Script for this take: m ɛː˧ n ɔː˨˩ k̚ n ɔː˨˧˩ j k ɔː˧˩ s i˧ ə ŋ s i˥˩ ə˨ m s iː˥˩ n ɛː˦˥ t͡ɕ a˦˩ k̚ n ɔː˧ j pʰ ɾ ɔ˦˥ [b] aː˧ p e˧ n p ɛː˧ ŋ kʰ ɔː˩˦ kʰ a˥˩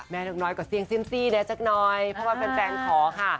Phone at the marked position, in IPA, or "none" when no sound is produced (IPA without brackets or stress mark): w